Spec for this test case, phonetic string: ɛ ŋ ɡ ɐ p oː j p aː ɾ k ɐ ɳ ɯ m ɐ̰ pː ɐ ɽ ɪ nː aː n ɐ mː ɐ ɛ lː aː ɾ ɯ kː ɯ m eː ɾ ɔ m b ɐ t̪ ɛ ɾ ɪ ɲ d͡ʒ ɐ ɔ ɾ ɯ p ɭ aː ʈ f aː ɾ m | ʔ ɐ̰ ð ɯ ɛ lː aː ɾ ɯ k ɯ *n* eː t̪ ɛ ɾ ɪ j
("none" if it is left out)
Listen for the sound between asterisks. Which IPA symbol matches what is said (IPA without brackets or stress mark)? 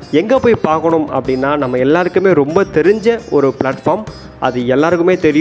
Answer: m